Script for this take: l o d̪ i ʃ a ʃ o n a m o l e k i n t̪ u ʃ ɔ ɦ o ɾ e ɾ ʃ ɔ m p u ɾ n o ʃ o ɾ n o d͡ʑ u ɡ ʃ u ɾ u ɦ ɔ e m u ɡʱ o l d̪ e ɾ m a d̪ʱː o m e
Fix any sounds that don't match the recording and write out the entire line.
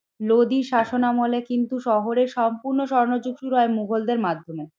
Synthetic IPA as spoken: l o d̪ i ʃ a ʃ o n a m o l e k i n t̪ u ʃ ɔ ɦ o ɾ e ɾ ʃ ɔ m p u ɾ n o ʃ ɔ ɾ n o d͡ʑ u ɡ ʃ u ɾ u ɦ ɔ e m u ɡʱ o l d̪ e ɾ m a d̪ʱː o m e